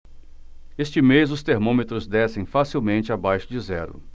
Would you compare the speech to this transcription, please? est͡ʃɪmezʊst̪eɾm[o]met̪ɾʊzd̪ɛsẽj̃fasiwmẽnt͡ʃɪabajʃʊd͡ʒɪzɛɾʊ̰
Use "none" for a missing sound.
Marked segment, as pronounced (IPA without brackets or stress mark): õ